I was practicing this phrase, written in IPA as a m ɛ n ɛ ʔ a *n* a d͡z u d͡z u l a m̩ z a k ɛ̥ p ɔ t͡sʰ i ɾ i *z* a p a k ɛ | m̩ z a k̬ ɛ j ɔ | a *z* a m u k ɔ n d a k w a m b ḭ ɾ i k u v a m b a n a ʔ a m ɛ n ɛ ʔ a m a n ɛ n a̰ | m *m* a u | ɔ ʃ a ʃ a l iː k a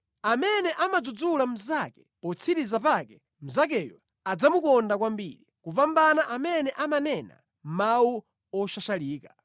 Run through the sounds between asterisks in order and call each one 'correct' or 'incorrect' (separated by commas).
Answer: incorrect, correct, incorrect, correct